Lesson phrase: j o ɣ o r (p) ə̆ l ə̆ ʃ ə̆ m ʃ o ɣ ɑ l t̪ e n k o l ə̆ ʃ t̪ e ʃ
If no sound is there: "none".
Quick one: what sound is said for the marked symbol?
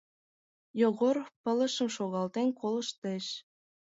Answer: p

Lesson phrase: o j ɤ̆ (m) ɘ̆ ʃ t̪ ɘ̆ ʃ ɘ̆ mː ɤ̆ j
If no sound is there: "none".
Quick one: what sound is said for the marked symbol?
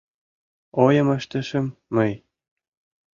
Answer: m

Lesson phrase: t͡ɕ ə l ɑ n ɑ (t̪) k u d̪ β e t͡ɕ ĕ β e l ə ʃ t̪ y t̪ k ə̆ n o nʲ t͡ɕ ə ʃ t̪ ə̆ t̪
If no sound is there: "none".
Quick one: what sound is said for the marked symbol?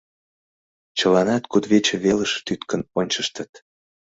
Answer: t̪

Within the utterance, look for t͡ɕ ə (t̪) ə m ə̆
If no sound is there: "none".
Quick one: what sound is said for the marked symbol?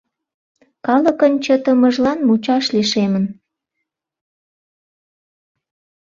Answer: t̪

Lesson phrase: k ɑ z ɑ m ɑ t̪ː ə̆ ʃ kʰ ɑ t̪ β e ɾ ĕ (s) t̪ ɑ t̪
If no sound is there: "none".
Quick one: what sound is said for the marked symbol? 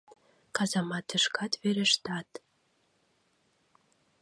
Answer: ʃ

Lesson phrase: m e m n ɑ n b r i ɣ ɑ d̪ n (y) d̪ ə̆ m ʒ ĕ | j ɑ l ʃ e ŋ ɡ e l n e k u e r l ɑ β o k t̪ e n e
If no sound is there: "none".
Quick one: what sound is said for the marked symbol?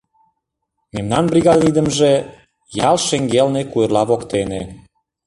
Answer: i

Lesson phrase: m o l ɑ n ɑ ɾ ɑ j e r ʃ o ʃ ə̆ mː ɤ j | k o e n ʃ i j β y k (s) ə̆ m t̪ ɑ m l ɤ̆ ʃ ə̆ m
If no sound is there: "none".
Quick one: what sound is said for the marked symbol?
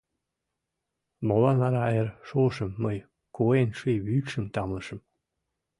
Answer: ʃ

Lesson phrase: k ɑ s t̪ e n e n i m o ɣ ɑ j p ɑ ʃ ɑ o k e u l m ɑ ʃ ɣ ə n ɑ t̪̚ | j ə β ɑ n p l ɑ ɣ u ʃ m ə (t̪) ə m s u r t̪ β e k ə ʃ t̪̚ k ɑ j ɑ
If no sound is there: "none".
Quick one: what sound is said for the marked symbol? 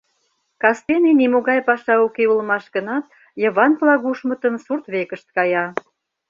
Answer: t̪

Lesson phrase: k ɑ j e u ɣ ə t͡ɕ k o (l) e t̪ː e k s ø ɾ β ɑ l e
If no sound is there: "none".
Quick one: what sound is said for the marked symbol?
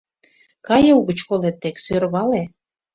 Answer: l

